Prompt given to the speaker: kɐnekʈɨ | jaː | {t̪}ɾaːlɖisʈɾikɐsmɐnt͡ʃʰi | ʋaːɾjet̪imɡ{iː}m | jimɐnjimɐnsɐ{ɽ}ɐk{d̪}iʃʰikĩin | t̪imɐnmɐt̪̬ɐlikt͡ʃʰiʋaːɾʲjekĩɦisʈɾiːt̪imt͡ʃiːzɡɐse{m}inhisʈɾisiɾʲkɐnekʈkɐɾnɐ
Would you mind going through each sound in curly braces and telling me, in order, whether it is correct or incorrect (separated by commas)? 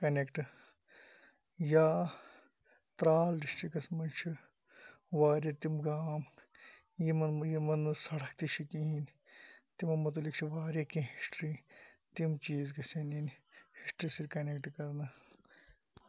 correct, incorrect, correct, incorrect, incorrect